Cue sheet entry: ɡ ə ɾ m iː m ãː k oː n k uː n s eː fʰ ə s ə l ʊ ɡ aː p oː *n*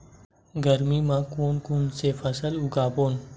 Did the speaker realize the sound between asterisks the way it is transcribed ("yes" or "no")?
yes